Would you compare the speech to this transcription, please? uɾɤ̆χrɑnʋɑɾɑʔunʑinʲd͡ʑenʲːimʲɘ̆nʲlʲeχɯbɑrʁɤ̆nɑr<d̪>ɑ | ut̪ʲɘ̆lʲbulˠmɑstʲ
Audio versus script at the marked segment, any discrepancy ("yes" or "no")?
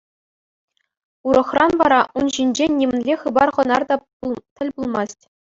no